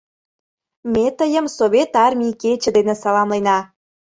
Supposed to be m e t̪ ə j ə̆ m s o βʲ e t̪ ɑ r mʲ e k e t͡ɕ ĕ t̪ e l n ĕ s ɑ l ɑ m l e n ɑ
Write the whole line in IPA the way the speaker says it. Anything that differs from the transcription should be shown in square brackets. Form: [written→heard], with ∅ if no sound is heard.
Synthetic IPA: m e t̪ ə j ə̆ m s o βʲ e t̪ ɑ r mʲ [e→i] k e t͡ɕ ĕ [t̪→d̪] e [l→∅] n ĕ s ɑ l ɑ m l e n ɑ